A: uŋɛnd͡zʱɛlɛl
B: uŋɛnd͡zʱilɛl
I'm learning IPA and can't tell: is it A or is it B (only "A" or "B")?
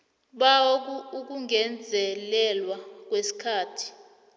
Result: A